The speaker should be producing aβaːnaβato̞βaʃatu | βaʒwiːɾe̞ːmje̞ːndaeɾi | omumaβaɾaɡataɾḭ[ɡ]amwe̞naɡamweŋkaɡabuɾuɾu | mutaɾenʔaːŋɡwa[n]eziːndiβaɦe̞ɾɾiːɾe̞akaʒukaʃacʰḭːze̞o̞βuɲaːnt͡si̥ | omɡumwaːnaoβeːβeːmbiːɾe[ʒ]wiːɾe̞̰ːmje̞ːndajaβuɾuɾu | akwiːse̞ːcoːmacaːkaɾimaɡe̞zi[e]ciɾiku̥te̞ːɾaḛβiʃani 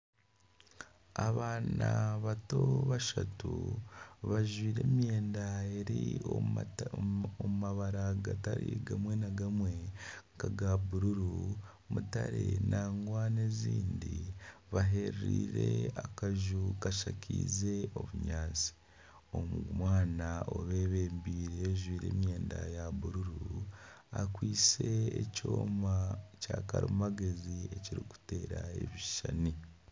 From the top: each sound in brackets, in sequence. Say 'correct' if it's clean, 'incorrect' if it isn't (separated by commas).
correct, correct, correct, correct